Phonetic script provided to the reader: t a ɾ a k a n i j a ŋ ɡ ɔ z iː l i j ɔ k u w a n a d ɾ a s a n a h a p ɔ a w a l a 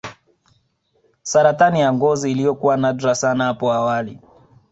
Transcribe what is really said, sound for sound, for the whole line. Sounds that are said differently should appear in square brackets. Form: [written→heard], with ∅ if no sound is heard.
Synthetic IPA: [t→s] a ɾ a [k→t] a n i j a ŋ ɡ ɔ z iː l i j ɔ k u w a n a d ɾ a s a n a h a p ɔ a w a l [a→i]